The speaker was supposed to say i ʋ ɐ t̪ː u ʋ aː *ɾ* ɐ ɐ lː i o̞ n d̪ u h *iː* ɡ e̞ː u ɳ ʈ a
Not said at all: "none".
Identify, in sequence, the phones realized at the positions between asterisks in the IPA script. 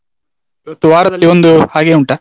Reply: ɾ, aː

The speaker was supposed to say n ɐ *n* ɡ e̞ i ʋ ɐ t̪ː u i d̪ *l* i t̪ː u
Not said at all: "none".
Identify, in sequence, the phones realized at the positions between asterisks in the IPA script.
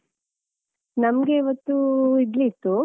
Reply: m, l

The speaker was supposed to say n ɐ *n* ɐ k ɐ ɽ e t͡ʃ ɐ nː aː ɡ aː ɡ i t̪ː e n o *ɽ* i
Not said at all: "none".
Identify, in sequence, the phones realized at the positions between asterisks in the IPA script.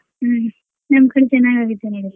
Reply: m, ɽ

